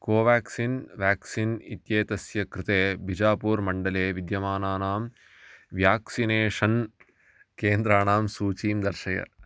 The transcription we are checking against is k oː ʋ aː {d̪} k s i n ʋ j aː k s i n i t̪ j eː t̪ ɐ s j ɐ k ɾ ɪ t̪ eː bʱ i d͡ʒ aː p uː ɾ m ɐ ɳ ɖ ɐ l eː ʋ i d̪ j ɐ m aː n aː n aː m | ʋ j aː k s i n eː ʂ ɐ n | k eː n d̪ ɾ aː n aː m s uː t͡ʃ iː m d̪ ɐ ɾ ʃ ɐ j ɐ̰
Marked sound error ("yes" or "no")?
yes